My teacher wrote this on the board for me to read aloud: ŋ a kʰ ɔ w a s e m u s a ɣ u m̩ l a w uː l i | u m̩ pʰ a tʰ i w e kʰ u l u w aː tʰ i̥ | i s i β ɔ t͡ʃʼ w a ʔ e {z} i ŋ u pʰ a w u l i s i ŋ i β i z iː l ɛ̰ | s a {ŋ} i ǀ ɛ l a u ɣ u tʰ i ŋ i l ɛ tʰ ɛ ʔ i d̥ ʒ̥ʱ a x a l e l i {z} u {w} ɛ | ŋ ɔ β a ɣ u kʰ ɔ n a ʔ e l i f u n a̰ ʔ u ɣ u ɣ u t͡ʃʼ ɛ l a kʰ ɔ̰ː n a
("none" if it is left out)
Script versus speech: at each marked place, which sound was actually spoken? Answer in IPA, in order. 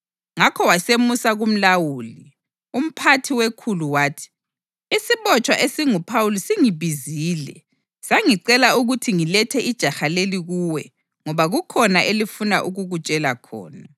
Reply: s, ŋ, ɣ, w

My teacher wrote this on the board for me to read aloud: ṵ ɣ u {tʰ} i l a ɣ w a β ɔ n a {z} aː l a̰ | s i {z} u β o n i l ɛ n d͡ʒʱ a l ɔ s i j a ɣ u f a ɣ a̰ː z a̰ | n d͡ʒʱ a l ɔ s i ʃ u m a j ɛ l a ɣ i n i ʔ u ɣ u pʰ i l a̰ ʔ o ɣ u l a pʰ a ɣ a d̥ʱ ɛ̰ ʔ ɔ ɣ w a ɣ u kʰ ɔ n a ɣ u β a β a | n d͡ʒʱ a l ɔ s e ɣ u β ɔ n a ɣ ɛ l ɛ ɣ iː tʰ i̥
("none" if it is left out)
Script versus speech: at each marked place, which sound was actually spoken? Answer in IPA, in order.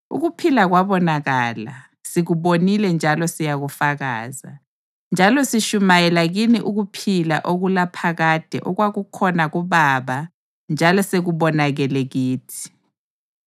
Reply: pʰ, ɣ, ɣ

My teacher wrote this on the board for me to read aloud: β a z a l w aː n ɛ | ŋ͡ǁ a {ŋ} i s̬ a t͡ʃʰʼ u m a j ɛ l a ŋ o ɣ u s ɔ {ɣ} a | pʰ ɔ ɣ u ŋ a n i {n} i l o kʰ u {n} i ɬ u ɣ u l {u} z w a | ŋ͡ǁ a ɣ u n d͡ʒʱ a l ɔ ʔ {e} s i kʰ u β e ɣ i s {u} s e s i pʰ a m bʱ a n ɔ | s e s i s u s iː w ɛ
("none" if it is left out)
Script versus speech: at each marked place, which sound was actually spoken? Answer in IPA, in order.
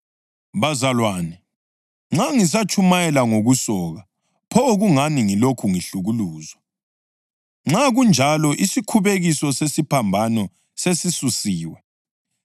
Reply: ŋ, ɣ, ŋ, ŋ, uː, i, ɔ

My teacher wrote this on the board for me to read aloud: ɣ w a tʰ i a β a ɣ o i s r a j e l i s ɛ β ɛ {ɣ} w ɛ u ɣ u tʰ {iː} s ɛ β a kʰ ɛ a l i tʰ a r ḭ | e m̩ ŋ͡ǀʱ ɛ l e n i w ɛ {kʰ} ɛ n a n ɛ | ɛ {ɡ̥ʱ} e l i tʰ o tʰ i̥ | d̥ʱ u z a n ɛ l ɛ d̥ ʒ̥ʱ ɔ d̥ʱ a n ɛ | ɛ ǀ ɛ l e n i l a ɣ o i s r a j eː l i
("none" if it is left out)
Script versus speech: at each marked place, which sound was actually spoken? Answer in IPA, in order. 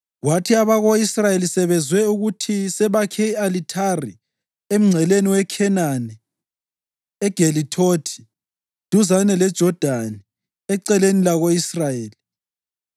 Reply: z, i, kʰ, ɡ̥ʱ

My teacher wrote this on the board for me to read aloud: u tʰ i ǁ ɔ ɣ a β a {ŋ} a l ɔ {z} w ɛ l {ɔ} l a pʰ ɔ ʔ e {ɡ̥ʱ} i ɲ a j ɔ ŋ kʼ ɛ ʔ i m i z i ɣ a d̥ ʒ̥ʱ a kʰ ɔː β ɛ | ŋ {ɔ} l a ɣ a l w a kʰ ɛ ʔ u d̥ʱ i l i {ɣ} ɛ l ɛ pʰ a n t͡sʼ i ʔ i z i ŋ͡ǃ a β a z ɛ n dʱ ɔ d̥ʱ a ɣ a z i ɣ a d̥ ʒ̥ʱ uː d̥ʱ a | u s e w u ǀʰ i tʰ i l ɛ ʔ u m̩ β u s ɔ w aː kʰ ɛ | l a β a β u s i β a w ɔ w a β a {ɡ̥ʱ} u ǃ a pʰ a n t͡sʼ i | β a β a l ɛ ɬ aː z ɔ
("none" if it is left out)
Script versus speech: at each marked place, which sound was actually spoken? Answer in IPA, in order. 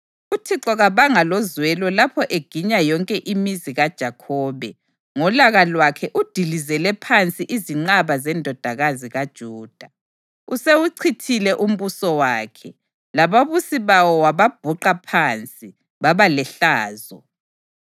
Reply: ŋ, z, ɔ, ɡ̥ʱ, ɔ, z, b̥ʱ

